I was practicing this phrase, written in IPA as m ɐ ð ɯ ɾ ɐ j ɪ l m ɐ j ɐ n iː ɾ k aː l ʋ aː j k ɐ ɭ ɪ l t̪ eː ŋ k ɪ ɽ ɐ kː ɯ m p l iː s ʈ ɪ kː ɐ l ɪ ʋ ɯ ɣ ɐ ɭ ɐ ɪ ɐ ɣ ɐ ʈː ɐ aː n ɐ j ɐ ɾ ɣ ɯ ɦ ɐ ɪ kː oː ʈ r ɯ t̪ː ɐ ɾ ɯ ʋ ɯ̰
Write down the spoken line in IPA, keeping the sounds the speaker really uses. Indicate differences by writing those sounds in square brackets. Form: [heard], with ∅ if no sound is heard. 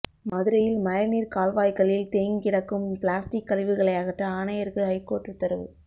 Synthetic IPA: m ɐ ð ɯ ɾ ɐ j ɪ l m ɐ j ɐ n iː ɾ k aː l ʋ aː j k ɐ ɭ ɪ l t̪ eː ŋ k ɪ ɽ ɐ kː ɯ m p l [aː] s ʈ ɪ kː ɐ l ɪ ʋ ɯ ɣ ɐ ɭ ɐ ɪ ɐ ɣ ɐ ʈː ɐ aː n ɐ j ɐ ɾ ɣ ɯ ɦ ɐ ɪ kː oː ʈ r ɯ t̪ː ɐ ɾ ɯ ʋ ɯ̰